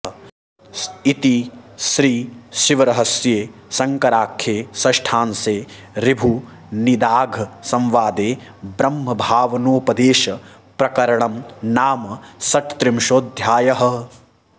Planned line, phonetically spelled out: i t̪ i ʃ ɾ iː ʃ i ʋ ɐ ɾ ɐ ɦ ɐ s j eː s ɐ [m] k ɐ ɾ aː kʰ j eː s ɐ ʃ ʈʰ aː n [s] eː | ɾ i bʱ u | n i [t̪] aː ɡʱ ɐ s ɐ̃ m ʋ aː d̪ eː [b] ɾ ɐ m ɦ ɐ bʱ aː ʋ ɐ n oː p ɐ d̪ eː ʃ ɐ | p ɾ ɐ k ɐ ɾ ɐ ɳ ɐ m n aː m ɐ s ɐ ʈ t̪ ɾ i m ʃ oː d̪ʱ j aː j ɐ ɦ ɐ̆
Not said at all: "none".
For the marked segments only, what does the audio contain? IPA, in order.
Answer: ŋ, s, d̪, b

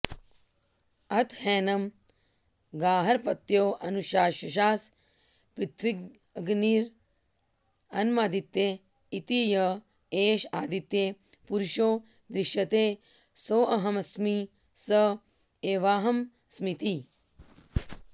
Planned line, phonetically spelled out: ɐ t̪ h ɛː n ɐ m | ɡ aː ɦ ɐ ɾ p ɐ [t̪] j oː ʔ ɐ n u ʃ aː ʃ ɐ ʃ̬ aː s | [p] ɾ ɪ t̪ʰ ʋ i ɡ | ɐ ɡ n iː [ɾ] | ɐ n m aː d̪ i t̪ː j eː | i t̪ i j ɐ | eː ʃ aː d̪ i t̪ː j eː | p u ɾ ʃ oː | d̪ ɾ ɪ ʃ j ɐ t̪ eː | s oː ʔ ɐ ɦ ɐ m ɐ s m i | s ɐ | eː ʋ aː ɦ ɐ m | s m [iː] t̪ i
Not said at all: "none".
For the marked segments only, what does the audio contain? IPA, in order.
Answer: t̪, p, ɾ, i

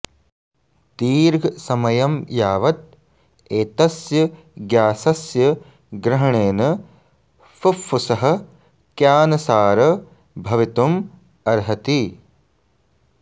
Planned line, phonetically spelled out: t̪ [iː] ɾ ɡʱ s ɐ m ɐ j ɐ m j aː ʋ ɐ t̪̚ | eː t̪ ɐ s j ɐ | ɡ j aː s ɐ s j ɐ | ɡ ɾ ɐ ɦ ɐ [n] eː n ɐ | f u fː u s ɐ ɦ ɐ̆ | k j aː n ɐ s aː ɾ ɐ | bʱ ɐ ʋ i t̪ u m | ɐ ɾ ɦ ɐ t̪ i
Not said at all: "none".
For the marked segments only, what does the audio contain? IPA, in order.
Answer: iː, ɳ

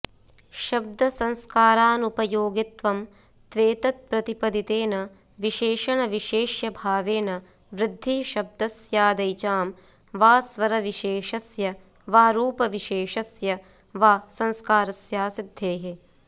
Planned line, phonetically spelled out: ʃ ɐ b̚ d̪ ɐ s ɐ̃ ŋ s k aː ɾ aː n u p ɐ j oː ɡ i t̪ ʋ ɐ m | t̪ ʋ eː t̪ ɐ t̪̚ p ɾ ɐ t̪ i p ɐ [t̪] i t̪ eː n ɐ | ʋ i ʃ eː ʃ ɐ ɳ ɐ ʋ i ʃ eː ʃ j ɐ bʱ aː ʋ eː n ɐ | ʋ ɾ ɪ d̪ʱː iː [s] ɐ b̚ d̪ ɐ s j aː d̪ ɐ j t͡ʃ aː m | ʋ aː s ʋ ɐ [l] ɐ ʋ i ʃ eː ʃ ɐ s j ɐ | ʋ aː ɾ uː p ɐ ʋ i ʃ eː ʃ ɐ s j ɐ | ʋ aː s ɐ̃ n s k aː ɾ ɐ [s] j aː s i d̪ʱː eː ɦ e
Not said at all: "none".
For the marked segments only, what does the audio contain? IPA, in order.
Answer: d̪, ʃ, ɾ, s

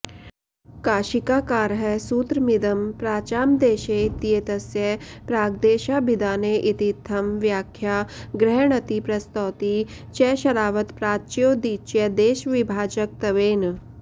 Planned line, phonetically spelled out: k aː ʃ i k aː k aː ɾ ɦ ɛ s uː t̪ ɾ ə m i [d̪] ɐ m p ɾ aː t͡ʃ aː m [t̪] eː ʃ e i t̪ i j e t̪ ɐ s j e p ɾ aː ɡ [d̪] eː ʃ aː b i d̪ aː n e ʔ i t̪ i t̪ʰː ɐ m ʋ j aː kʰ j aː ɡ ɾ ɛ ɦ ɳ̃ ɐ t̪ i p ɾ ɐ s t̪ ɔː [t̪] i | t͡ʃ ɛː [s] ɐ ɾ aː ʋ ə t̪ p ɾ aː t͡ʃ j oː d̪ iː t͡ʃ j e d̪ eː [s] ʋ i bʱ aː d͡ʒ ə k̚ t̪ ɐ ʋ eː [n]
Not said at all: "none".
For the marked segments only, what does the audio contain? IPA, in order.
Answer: d̪, d̪, d̪, t̪, ʃ, ʃ, n

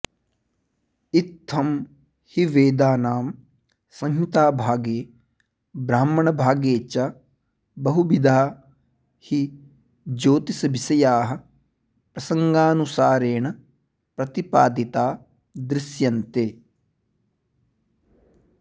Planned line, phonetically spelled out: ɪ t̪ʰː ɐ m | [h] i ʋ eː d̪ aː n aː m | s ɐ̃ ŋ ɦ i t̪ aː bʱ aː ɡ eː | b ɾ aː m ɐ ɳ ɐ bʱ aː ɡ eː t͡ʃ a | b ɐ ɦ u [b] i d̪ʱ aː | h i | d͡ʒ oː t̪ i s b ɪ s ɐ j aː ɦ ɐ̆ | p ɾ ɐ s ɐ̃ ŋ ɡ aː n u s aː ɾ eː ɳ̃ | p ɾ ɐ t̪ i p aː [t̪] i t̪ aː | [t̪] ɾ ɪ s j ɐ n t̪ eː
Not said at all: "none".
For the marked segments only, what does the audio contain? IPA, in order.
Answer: h, b, d̪, d̪

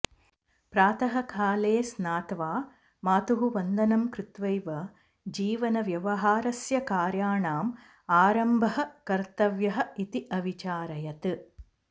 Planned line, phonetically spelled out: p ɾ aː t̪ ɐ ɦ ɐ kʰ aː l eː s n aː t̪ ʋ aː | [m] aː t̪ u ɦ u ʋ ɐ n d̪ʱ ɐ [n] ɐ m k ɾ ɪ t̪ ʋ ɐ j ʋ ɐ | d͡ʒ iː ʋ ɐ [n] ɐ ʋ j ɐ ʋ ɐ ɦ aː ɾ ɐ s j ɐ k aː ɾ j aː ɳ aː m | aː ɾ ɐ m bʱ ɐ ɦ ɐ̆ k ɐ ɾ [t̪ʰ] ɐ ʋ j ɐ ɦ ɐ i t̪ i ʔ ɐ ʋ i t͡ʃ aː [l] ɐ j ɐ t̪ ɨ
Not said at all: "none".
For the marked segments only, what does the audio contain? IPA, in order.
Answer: m, n, n, t̪, ɾ

